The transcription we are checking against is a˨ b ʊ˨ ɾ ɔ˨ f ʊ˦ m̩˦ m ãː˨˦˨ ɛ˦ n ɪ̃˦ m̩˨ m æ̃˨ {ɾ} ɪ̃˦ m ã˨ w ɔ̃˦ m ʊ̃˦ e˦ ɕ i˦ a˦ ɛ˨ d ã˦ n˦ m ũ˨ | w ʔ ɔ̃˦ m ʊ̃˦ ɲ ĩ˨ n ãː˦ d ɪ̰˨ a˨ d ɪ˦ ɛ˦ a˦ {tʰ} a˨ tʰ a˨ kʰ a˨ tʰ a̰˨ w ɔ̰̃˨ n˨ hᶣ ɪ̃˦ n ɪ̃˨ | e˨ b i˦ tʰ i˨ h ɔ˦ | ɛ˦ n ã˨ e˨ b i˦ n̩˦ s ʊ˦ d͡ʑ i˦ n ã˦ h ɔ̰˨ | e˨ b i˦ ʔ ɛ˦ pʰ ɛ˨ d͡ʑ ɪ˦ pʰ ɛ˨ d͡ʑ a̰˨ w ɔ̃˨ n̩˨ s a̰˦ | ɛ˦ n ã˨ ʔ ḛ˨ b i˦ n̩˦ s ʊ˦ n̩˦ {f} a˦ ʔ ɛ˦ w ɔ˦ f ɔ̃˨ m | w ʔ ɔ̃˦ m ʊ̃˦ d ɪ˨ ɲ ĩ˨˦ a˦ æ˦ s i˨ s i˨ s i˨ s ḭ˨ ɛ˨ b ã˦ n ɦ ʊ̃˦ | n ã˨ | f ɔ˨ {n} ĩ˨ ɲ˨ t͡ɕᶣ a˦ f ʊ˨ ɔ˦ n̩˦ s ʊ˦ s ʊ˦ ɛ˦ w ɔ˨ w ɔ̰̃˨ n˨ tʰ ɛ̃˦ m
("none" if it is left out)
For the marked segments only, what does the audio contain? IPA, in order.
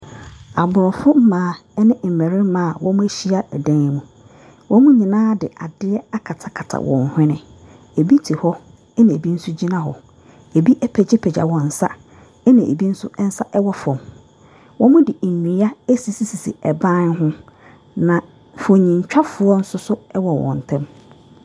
ɾ, kʰ, s, ɲ

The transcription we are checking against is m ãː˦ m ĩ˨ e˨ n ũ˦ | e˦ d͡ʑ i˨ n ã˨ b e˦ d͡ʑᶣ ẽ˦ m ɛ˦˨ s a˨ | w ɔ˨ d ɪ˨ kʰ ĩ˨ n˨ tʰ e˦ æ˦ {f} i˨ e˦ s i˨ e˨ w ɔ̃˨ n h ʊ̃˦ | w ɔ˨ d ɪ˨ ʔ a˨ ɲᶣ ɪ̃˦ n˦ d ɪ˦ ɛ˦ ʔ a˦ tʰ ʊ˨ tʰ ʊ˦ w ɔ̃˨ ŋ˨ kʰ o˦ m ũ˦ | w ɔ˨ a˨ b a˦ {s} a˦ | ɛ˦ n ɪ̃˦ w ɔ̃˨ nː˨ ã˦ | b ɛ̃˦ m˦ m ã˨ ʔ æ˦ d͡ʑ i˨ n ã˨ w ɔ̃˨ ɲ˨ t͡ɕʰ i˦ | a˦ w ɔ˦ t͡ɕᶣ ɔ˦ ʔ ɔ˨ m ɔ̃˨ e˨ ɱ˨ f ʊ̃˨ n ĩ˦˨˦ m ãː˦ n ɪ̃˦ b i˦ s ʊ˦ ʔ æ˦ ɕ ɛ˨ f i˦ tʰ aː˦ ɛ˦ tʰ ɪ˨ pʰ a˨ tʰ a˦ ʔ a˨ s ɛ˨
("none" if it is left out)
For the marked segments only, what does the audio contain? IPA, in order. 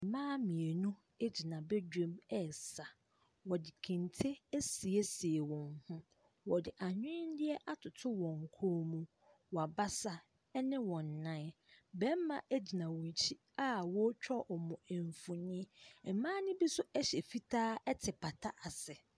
s, s

